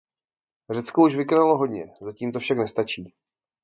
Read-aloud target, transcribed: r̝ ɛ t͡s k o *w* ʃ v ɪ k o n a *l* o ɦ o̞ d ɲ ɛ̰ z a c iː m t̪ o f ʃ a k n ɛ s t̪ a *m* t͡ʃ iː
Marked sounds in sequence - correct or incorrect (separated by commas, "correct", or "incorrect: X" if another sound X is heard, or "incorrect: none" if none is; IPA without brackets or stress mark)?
incorrect: u, correct, incorrect: none